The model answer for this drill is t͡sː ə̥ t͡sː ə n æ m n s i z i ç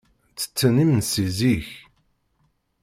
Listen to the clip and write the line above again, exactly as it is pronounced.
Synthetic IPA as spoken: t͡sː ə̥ t͡sː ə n i m n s i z i ç